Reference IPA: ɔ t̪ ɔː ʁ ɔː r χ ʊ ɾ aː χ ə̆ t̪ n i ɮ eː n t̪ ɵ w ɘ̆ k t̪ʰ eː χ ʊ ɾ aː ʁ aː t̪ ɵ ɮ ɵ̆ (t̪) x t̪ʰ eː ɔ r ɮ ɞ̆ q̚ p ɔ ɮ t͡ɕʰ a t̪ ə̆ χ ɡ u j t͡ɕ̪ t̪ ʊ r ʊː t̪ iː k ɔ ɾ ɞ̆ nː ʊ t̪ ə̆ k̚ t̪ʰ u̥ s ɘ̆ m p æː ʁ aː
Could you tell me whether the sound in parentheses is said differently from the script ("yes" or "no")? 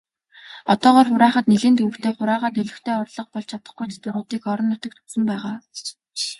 yes